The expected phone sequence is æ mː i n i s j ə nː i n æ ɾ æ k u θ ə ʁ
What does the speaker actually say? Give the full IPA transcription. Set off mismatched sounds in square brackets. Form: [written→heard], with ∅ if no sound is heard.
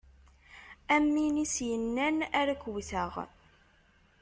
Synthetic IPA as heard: æ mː i n i s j ə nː [i→æ] n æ ɾ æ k [u→w] θ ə ʁ

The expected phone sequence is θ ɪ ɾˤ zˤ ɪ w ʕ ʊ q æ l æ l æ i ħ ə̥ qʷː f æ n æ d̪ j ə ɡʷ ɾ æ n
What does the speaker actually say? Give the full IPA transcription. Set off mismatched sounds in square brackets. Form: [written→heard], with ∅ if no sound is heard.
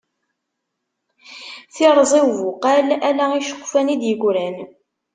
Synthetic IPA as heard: θ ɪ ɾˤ zˤ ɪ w [ʕ→v] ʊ q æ l æ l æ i [ħ→ʃ] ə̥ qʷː f æ n [æ→i] d̪ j ə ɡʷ ɾ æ n

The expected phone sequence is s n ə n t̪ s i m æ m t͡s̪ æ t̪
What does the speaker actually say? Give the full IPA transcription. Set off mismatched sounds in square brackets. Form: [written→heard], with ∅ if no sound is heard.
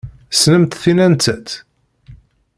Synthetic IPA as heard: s n ə [n→m] t̪ [s→θ] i [m→n] æ [m→n] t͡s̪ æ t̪

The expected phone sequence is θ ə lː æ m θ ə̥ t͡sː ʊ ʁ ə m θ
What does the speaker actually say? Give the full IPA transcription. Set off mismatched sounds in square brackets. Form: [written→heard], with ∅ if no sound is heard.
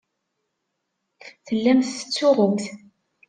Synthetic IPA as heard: θ ə lː æ m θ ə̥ t͡sː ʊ ʁ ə m θ

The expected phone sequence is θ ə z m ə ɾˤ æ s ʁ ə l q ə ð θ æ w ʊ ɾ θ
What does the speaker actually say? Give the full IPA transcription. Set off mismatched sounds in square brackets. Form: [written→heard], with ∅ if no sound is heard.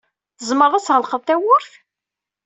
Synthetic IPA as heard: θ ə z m ə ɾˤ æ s ʁ ə l q ə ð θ æ w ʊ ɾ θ

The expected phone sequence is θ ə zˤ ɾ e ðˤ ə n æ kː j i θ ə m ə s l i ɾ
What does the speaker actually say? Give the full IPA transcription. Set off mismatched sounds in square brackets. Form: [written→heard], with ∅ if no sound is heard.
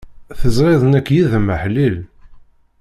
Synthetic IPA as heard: θ ə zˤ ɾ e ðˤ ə n æ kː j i [θ→ð] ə m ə [s→ħ] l i [ɾ→l]

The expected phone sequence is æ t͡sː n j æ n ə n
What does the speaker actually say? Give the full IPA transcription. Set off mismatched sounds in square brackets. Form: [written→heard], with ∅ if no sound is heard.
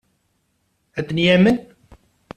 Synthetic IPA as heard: æ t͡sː n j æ [n→m] ə n

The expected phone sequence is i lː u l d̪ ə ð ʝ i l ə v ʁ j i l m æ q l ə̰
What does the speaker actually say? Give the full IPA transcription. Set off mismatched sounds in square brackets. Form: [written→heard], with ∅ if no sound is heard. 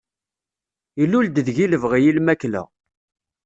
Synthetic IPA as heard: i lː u l d̪ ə ð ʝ i l ə v ʁ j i l m æ [q→k] l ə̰

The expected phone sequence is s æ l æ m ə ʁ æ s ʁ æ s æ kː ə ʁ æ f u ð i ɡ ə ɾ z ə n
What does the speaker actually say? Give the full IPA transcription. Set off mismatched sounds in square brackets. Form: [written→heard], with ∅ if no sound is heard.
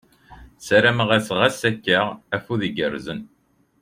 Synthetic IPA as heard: s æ [l→ɾ] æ m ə ʁ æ s ʁ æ s æ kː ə ʁ æ f u ð i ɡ ə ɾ z ə n

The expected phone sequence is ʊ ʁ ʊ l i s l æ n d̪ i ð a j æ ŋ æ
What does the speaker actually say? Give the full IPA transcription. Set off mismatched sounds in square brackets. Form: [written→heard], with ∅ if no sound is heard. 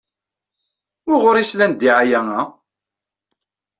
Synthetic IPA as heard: ʊ ʁ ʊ [l→ɾ] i s l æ n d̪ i [ð→ʕ] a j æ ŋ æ

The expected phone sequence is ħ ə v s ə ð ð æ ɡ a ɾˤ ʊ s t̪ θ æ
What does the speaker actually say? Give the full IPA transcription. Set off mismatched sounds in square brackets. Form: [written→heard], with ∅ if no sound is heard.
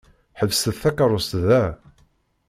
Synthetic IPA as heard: ħ ə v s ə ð [ð→θ] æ [ɡ→k] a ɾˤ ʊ s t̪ [θ→ð] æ

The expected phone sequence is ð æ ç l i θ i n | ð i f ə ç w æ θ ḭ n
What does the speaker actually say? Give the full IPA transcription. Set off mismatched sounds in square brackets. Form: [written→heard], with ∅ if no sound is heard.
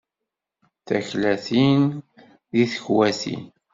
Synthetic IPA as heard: [ð→θ] æ ç l [i→æ] θ i n | ð i [f→θ] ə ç w æ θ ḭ n

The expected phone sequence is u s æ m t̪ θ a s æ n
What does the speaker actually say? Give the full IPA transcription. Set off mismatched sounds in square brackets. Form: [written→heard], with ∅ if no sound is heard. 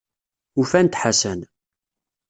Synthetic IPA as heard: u [s→f] æ [m→n] t̪ [θ→ħ] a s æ n

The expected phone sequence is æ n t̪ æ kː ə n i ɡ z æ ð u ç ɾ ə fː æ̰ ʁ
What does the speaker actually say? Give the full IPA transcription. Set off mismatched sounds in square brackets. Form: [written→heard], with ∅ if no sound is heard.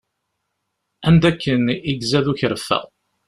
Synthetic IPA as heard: æ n [t̪→d̪] æ kː ə n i ɡ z æ ð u ç ɾ ə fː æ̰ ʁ

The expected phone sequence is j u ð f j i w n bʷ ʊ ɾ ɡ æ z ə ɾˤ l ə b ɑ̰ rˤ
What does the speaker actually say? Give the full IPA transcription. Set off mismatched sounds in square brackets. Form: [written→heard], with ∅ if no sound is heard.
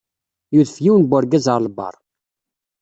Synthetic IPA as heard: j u ð f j i w n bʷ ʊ ɾ ɡ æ z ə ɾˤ l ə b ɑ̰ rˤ

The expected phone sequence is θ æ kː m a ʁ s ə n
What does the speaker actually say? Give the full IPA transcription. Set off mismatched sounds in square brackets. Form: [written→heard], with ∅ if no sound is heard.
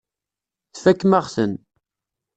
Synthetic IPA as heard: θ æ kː m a ʁ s ə n

